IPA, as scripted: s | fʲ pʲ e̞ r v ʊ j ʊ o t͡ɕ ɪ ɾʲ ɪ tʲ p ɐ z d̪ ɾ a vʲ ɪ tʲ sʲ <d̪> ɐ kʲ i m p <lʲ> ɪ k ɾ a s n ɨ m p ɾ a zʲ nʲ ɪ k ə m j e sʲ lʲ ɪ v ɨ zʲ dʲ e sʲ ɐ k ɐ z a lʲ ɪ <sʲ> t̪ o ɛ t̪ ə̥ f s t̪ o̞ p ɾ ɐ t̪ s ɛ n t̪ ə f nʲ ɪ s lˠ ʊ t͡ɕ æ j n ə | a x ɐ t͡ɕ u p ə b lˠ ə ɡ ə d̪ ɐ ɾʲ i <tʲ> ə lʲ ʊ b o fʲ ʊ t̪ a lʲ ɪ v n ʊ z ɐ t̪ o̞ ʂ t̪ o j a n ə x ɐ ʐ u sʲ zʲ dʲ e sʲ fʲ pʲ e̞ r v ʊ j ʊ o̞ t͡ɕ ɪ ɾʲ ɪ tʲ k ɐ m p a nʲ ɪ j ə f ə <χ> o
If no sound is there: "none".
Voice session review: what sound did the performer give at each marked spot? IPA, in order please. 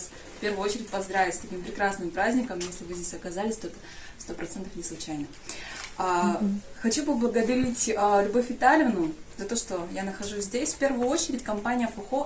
t̪, ɾʲ, sʲ, tʲ, x

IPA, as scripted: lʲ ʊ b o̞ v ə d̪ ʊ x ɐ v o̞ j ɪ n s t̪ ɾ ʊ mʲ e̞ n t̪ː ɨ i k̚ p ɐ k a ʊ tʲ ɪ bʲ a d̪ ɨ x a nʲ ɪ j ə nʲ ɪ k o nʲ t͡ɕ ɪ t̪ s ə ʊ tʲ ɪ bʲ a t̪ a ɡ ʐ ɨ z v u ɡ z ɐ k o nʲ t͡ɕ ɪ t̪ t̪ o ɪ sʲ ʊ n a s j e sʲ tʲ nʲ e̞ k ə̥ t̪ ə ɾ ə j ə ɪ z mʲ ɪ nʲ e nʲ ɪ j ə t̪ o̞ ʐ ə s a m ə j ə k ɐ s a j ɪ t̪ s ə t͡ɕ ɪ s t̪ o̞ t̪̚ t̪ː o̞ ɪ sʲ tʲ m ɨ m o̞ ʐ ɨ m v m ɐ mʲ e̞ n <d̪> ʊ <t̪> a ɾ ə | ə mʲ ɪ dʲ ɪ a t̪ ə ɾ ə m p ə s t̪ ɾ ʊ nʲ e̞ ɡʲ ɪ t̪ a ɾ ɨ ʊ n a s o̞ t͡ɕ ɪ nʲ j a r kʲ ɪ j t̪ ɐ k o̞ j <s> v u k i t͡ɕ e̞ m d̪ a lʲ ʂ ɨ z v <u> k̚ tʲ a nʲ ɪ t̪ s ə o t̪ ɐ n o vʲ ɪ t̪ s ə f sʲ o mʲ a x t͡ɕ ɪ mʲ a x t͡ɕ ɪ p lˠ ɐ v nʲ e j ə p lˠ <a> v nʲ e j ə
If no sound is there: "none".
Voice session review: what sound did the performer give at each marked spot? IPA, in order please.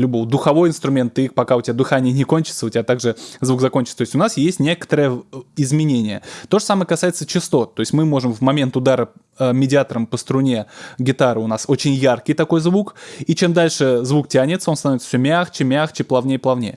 t̪, d̪, z, u, ɐ

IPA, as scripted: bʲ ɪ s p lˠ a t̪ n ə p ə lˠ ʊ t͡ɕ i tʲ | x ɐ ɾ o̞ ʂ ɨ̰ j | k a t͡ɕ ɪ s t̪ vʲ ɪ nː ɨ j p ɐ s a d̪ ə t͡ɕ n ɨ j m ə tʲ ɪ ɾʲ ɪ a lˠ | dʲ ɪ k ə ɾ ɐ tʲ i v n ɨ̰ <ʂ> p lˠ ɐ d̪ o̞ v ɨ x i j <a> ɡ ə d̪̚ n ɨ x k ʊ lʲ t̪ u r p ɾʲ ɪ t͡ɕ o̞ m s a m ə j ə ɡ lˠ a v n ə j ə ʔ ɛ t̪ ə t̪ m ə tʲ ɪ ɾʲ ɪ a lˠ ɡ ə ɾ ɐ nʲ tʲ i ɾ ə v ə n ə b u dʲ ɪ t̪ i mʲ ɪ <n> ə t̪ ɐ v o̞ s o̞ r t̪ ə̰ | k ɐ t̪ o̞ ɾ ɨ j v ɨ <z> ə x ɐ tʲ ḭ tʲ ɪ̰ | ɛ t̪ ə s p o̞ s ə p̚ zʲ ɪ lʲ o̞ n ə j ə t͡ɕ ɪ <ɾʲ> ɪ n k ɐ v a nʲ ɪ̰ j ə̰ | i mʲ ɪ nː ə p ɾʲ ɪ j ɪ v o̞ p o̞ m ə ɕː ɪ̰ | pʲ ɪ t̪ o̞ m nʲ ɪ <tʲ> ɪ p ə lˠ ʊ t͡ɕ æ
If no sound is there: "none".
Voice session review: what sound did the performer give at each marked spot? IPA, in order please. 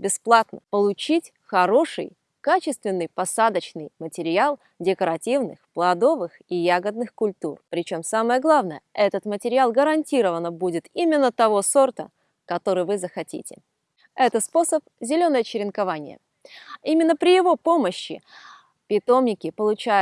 x, a, nː, z, ɾʲ, kʲ

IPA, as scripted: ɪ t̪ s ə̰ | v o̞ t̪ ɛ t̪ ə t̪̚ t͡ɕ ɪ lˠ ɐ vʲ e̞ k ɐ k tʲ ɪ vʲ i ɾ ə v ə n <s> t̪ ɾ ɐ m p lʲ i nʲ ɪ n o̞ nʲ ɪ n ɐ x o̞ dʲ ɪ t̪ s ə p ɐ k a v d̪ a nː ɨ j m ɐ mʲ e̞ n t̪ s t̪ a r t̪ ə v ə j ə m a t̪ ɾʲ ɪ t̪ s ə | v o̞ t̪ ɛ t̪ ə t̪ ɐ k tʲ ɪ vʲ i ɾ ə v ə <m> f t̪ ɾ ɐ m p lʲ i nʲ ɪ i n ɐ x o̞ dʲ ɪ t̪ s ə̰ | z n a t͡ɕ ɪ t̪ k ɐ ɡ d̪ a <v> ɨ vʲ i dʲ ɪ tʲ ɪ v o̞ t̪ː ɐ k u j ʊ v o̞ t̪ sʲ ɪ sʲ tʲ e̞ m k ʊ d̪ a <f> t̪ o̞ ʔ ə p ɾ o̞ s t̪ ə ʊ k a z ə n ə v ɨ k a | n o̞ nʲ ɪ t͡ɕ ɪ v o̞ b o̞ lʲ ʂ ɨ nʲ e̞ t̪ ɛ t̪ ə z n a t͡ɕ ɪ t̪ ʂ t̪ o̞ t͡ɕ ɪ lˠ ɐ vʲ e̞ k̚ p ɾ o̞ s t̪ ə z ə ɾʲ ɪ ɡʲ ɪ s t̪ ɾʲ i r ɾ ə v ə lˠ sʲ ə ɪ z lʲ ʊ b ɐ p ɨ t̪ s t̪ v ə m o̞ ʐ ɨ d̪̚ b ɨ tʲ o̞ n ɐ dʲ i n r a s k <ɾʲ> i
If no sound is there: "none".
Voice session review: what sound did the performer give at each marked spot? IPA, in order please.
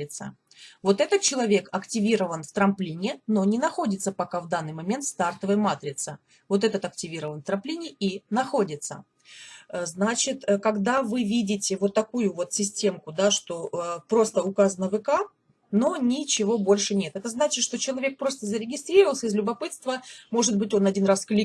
f, n, v, ʂ, lʲ

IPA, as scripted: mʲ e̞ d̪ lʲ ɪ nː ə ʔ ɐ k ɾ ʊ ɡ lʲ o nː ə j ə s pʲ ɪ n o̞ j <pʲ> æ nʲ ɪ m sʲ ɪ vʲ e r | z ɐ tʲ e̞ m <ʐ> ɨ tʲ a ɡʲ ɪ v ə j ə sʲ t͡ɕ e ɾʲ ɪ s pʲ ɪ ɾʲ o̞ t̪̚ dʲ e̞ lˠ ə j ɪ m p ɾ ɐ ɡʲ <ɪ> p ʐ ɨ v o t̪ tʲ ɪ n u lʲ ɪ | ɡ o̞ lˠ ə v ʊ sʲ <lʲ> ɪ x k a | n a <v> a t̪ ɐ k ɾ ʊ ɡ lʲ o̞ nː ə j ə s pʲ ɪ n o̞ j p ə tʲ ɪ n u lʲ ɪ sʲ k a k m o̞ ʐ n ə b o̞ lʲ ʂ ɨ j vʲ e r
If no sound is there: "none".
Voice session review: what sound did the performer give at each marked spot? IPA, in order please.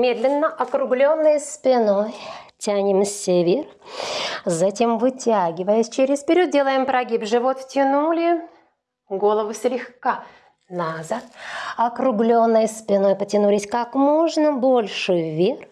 tʲ, v, i, lʲ, z

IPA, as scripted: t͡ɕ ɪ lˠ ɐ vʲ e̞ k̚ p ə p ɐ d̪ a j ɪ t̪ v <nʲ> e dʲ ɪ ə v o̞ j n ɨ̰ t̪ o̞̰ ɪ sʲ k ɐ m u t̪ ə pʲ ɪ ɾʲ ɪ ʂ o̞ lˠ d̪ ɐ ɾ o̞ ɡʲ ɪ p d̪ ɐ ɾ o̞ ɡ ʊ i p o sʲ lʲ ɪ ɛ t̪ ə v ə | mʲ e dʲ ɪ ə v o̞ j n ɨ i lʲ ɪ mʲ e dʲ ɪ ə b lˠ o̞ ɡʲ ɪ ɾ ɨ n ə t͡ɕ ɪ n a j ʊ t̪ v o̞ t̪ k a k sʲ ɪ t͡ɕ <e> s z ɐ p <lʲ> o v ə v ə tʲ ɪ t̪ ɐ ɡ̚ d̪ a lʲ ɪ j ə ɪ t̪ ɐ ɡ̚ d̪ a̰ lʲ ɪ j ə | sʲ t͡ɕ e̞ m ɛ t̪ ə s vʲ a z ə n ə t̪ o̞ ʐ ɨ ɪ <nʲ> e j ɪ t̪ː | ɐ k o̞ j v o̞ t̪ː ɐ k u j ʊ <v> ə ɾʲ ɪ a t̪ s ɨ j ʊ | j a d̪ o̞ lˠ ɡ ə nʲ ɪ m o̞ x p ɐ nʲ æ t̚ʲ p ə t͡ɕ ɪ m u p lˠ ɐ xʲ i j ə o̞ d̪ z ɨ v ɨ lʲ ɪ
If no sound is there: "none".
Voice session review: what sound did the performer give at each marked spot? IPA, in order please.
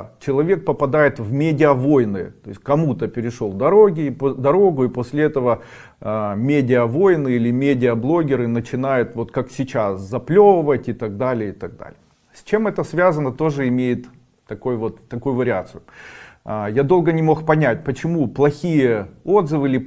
mʲ, a, lʲ, mʲ, v

